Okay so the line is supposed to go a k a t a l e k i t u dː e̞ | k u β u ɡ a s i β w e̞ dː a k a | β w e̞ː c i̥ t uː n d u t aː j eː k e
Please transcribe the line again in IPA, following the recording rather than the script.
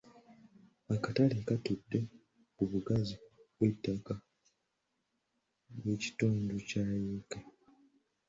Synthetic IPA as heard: a k a t a l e k a t u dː e̞ | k u β u ɡ a z i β w e̞ tː a k a | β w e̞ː c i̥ t uː n d u c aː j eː k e